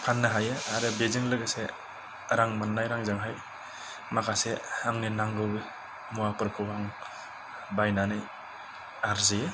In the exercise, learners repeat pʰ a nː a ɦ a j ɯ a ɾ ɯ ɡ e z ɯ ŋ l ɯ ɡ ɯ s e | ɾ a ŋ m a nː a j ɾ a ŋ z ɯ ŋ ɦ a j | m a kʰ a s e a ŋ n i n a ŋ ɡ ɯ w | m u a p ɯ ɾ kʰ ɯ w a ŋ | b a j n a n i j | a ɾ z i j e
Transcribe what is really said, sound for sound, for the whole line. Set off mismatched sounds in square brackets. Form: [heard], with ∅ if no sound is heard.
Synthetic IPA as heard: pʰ a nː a ɦ a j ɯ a ɾ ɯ [b] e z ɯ ŋ l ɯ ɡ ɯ s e | ɾ a ŋ m a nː a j ɾ a ŋ z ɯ ŋ ɦ a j | m a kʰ a s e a ŋ n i n a ŋ ɡ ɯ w | m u a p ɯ ɾ kʰ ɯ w a ŋ | b a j n a n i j | a ɾ z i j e